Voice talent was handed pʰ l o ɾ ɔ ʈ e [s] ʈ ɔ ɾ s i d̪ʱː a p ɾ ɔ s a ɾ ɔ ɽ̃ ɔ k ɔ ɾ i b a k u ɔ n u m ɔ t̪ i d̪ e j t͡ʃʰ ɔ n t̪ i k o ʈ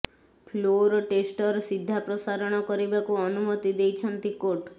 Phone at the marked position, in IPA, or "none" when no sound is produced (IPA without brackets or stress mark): s